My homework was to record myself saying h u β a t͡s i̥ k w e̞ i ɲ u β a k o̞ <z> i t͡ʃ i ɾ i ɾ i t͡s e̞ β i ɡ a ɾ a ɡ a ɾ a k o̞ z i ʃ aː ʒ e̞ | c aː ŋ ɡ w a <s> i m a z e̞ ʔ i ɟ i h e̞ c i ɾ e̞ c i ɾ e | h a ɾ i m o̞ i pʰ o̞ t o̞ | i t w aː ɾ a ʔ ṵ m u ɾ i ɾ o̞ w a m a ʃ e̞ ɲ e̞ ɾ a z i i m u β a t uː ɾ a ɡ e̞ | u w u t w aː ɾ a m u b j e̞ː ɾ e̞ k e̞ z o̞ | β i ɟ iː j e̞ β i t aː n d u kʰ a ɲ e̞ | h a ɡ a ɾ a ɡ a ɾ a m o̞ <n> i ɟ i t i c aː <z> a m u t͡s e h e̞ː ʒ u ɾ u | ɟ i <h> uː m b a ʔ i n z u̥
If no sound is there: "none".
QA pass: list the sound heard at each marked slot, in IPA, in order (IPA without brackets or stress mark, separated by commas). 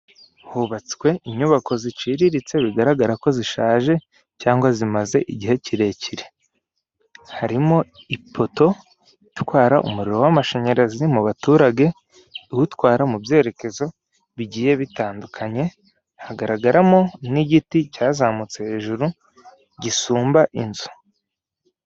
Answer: z, z, n, z, s